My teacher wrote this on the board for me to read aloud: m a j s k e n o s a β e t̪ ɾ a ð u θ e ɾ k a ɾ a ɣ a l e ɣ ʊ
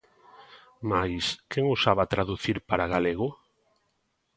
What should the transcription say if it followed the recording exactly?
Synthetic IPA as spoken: m a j s k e ŋ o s a β a t̪ ɾ a ð u θ i ɾ p a ɾ a ɣ a l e ɣ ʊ